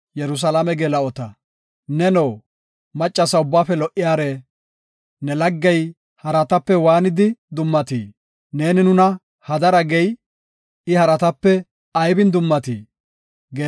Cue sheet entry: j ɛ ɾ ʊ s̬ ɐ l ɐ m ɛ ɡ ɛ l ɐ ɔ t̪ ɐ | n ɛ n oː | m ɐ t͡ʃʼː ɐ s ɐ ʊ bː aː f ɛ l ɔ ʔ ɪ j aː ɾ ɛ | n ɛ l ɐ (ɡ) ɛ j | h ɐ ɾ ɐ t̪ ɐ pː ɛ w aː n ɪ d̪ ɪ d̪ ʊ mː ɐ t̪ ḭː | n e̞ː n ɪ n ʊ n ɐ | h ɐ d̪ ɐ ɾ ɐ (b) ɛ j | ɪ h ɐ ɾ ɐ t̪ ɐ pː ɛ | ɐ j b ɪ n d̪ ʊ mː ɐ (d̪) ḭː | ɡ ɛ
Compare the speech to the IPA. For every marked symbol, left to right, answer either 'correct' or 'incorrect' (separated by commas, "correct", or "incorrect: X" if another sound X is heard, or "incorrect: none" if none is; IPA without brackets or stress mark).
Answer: incorrect: ɡː, incorrect: ɡ, incorrect: t̪